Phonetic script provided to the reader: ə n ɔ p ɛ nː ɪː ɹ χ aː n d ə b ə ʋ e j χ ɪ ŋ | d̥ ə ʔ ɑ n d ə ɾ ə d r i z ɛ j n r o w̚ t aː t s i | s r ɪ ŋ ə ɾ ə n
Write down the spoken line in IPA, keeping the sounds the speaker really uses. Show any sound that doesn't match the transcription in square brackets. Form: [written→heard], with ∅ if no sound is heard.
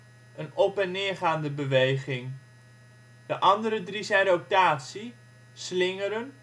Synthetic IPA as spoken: ə n ɔ p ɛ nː ɪː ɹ χ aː n d ə b ə ʋ e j χ ɪ ŋ | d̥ ə ʔ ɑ n d ə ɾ ə d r i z ɛ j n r o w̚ t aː t s i | s [r→l] ɪ ŋ ə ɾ ə n

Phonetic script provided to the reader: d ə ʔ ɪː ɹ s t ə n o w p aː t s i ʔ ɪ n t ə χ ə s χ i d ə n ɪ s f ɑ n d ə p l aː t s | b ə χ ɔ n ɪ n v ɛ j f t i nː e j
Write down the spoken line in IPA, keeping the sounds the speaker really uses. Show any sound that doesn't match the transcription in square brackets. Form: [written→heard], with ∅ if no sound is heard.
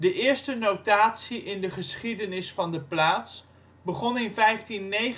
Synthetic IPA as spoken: d ə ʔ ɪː ɹ s t ə n o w [p→t] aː t s i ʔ ɪ n [t→d] ə χ ə s χ i d ə n ɪ s f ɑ n d ə p l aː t s | b ə χ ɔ n ɪ n v ɛ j f t i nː e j

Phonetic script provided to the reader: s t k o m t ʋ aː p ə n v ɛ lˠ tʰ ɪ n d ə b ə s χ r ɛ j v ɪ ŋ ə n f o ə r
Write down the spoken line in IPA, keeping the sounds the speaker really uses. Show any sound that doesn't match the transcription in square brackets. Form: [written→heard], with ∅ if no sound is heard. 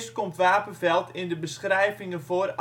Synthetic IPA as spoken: s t k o m t ʋ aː p ə n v ɛ lˠ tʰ ɪ n d ə b ə s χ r ɛ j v ɪ ŋ ə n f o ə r

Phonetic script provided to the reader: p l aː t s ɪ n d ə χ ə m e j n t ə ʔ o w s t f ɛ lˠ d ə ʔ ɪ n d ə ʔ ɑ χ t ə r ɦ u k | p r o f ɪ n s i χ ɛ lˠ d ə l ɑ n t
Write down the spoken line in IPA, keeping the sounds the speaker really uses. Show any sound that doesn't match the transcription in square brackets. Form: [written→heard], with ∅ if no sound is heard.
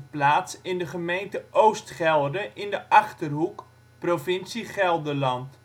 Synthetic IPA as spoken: p l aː t s ɪ n d ə χ ə m e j n t ə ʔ o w s t [f→χ] ɛ lˠ d ə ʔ ɪ n d ə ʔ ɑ χ t ə r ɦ u k | p r o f ɪ n s i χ ɛ lˠ d ə l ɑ n t

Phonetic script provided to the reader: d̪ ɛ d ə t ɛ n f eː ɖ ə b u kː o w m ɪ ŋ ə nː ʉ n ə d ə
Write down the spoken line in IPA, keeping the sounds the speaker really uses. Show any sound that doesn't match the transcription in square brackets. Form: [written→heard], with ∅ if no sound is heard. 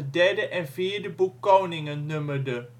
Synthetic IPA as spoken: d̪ ɛ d ə [t→ʔ] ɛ n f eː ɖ ə b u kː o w [m→n] ɪ ŋ ə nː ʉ [n→m] ə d ə

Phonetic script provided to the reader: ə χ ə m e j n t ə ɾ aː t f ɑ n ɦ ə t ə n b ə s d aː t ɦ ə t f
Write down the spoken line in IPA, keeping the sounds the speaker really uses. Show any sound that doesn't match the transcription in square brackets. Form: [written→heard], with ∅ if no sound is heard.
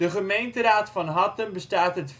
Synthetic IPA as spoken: ə χ ə m e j n t ə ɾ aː t f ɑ n ɦ [ə→ɑ] t ə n b ə s [d→t] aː t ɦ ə t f

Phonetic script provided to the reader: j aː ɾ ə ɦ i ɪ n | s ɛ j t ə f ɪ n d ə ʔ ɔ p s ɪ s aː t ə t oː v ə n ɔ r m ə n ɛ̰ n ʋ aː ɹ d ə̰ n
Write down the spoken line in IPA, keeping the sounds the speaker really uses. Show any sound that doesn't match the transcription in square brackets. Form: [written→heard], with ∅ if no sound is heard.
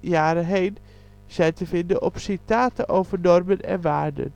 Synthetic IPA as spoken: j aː ɾ ə ɦ [i→e] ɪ n | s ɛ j t ə f ɪ n d ə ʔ ɔ p s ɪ [s→t] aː t ə [t→ʔ] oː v ə n ɔ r m ə n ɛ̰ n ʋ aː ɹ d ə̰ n

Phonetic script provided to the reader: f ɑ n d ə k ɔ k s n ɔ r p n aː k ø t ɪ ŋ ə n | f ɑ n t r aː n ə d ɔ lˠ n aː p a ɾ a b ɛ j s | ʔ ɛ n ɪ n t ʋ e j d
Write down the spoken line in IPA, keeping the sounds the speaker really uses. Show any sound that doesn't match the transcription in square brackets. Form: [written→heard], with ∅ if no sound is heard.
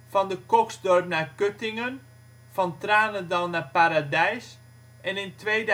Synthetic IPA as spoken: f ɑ n d ə k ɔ k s [n→d] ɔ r p n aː k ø t ɪ ŋ ə n | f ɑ n t r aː n ə d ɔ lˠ n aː p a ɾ a [b→d] ɛ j s | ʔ ɛ n ɪ n t ʋ e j d

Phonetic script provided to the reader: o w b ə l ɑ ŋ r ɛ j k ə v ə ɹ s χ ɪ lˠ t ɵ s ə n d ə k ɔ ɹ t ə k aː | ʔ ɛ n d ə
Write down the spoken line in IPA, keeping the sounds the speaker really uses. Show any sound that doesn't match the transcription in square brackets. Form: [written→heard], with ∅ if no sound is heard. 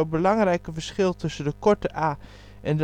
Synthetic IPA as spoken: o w b ə l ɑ ŋ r ɛ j k ə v ə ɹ s χ ɪ lˠ t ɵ s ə n d ə k ɔ ɹ t ə [k→ʔ] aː | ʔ ɛ n d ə

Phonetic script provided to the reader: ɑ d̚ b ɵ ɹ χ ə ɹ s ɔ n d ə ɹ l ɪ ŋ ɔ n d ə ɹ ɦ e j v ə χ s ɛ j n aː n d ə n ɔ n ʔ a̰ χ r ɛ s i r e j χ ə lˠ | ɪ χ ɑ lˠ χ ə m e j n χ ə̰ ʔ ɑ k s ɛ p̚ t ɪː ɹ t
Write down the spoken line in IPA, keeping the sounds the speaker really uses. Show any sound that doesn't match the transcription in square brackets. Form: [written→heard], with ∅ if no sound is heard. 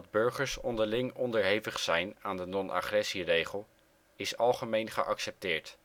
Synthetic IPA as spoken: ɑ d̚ b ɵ ɹ χ ə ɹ s ɔ n d ə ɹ l ɪ ŋ ɔ n d ə ɹ ɦ e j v ə χ s ɛ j n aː n d ə n ɔ n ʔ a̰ χ r ɛ s i r e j χ ə lˠ | ɪ [χ→s] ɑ lˠ χ ə m e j n χ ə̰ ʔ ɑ k s ɛ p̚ t ɪː ɹ t

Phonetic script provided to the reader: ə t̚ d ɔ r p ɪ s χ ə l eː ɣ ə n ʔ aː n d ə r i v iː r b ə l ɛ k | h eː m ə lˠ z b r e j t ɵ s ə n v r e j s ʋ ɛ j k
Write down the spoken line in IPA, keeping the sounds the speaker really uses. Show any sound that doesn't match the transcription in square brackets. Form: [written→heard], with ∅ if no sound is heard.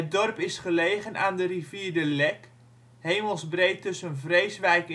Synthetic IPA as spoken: ə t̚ d ɔ r p ɪ s χ ə l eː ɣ ə n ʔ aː n d ə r i v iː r [b→d] ə l ɛ k | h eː m ə lˠ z b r e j t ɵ s ə n v r e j s ʋ ɛ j k

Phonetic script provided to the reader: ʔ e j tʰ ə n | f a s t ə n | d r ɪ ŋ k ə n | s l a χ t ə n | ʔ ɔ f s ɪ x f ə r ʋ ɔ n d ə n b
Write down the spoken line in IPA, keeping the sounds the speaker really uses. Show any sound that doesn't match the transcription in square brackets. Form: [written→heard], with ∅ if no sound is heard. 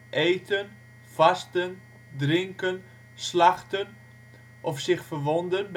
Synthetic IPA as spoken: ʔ e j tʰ ə n | f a s t ə n | d r ɪ ŋ k ə n | s l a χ t ə n | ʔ ɔ f s ɪ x f ə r ʋ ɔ n d ə n b

